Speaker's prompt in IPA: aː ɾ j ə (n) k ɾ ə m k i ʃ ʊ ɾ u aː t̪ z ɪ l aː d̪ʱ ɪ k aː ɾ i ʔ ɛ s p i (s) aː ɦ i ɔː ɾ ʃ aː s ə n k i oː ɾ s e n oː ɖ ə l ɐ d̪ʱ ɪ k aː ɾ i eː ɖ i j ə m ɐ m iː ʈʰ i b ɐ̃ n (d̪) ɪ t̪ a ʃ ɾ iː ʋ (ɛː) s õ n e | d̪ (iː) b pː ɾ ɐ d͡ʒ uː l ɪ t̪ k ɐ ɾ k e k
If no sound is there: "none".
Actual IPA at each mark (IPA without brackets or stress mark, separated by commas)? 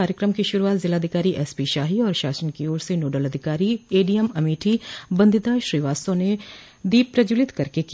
none, ʃ, d̪, aː, iː